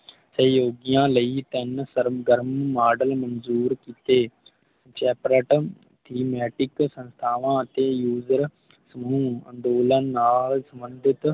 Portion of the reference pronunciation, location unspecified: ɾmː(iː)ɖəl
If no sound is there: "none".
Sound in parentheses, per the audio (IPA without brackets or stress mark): aː